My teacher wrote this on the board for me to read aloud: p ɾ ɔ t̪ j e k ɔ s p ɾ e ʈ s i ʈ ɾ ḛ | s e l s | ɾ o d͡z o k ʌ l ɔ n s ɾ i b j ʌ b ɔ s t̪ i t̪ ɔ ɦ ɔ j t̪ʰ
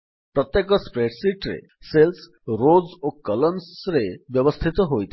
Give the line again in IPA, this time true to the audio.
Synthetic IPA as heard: p ɾ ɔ t̪ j e k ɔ s p ɾ e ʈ s i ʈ ɾ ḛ | s e l s | ɾ o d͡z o k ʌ l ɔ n s ɾ e b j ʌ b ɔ s t̪ʰ i t̪ ɔ ɦ o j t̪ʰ

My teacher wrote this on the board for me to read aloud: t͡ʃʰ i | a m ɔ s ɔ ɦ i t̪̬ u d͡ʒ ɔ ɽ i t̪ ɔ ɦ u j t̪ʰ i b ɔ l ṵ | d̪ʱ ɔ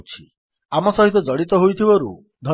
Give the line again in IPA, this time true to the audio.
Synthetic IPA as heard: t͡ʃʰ i | a m ɔ s ɔ ɦ i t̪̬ ɔ d͡ʒ ɔ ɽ i t̪ ɔ ɦ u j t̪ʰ i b ɔ ɾ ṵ | d̪ʱ ɔ

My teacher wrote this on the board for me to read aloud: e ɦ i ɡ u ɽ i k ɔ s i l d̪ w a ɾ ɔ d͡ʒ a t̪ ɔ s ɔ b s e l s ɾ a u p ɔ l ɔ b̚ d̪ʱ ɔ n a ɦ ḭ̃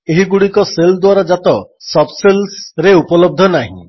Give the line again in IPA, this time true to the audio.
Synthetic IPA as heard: e ɦ i ɡ u ɽ i k ɔ s e l d̪ w a ɾ ɔ d͡ʒ a t̪ ɔ s ɔ b s e l s ɾ e u p ɔ l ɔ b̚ d̪ʱ ɔ n a ɦ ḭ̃

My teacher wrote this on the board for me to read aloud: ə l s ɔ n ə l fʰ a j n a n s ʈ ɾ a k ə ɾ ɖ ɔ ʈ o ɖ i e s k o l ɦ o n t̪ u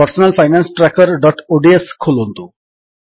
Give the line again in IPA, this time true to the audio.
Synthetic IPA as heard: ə ɾ s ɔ n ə l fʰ a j n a n s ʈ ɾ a k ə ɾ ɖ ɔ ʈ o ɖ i e s kʰ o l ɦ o n t̪ u

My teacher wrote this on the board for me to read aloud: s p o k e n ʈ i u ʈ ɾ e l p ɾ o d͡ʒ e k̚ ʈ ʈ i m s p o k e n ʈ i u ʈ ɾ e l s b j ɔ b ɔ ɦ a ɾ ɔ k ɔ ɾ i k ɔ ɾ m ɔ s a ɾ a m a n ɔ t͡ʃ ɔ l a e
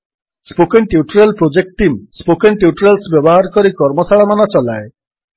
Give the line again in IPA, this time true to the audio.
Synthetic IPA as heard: s p o k e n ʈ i u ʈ ɾ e l p ɾ o d͡ʒ e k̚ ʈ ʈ i m s p o k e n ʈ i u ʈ ɾ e l s b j ɔ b ɔ ɦ a ɾ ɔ k ɔ ɾ i k ɔ ɾ m ɔ s a ɭ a m a n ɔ t͡ʃ ɔ l a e

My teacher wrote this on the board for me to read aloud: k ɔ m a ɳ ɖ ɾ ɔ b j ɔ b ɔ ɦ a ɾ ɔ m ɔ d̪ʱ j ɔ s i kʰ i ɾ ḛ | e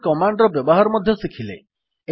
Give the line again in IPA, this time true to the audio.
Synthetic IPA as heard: k ɔ m a ɳ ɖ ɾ ɔ b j ɔ b ɔ ɦ a ɾ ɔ m ɔ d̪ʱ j ɔ s i kʰ i l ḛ | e

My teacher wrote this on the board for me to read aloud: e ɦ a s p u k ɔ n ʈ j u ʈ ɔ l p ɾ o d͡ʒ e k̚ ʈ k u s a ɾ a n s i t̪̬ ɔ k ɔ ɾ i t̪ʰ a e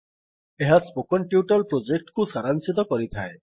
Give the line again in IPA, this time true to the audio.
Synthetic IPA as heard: e ɦ a s p o k ɔ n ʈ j u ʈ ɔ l p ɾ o d͡ʒ e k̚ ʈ k u s a ɾ a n s i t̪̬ ɔ k ɔ ɾ i t̪ʰ a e

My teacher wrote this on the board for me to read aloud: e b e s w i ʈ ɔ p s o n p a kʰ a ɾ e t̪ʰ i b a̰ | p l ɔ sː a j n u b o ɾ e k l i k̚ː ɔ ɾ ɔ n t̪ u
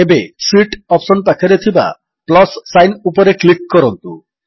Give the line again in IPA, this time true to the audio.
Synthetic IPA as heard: e b e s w i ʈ ɔ p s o n p a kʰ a ɾ e t̪ʰ i b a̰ | p l ɔ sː a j n u p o ɾ e k l i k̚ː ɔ ɾ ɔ n t̪ u

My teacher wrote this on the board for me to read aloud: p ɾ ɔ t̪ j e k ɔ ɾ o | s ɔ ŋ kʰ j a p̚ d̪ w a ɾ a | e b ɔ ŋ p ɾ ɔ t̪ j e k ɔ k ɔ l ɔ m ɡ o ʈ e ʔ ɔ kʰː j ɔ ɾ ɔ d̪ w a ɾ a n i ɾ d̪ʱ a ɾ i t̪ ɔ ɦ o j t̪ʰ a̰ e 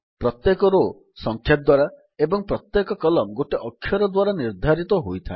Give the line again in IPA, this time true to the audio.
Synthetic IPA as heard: p ɾ ɔ t̪ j e k ɔ ɾ o | s ɔ ŋ kʰ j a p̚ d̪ w a ɾ a | e b ɔ ŋ p ɾ ɔ t̪ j e k ɔ k ɔ l ɔ m ɡ o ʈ e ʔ ɔ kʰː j ɔ ɾ ɔ d̪ w a ɾ a n i ɾ d̪ʱ a ɾ i t̪ ɔ ɦ o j t̪ʰ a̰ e

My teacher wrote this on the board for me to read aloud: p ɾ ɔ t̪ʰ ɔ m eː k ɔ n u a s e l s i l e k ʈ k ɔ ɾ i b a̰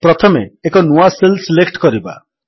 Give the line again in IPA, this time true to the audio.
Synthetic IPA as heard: p ɾ ɔ t̪ʰ ɔ m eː k ɔ n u a s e l s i l e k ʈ k ɔ ɾ i b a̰

